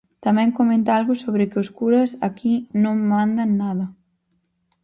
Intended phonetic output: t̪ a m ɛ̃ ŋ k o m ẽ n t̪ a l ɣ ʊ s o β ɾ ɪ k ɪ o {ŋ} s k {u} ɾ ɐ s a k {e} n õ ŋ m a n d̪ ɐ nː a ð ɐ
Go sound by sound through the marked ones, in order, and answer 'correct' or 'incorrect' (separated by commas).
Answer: incorrect, correct, incorrect